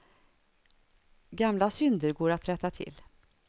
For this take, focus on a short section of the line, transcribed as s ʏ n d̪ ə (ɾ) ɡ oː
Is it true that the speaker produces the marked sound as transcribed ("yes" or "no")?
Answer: yes